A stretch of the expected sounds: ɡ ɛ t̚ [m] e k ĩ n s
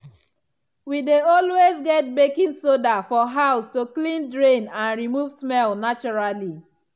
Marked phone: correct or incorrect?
incorrect: b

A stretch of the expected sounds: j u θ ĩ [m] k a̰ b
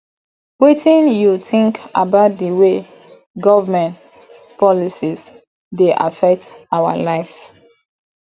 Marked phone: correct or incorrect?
incorrect: ŋ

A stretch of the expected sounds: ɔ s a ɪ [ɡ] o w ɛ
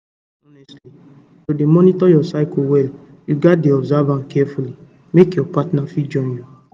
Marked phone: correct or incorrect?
incorrect: k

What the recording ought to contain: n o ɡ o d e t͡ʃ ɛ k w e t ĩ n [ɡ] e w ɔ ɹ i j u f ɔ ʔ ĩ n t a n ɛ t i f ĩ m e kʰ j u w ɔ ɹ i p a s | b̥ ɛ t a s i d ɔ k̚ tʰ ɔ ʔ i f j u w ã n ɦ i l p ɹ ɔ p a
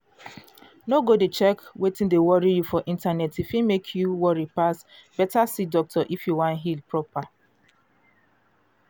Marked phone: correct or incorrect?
incorrect: d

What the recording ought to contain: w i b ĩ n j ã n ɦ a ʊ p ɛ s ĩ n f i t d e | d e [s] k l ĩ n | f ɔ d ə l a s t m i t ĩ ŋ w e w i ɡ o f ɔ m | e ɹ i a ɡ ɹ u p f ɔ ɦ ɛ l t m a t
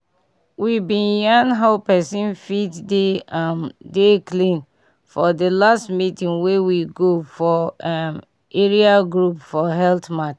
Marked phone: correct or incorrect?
incorrect: none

